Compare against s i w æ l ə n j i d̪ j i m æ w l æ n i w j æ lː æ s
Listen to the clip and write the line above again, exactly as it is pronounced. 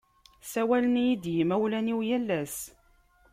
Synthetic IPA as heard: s æ w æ l ə n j i d̪ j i m æ w l æ n i w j æ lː æ s